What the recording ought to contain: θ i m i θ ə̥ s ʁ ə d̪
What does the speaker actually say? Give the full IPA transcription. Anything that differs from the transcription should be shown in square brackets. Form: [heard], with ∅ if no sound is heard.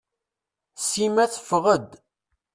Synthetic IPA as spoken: [s] i m [æ] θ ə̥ [f] ʁ ə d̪